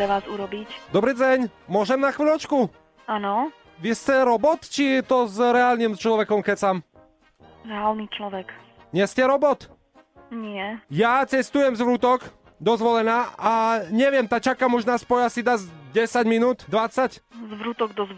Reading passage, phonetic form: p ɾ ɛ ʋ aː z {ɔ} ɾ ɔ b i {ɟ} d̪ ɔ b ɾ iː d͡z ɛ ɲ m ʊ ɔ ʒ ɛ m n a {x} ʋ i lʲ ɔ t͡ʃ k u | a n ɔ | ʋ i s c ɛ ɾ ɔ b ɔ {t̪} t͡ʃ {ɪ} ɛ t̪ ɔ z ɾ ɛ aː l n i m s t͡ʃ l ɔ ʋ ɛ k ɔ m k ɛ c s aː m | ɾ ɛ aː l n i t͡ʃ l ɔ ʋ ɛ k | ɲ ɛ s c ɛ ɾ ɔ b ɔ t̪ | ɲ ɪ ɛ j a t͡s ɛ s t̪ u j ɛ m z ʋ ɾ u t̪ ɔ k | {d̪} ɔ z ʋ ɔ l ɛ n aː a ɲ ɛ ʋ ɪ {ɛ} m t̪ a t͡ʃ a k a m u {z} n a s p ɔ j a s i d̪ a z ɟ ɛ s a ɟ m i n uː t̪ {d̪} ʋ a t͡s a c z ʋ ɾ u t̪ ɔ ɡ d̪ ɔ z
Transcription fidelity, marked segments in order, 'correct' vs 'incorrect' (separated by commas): incorrect, incorrect, correct, correct, incorrect, correct, correct, incorrect, correct